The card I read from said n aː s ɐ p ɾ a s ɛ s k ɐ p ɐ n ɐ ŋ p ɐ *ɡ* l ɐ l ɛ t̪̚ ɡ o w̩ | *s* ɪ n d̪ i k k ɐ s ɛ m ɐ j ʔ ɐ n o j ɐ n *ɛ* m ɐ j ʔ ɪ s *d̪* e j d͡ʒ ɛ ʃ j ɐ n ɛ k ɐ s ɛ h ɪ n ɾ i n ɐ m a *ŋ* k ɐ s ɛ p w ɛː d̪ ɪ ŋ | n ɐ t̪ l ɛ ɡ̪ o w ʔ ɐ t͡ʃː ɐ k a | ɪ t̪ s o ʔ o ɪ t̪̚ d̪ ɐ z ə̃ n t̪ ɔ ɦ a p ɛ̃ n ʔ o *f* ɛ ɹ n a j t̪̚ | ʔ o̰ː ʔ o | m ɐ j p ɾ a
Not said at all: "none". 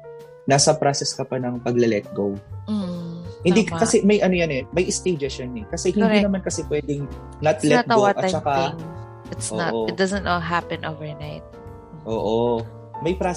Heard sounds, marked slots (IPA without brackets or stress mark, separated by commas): ɡ, h, ɛ, t̪, n, v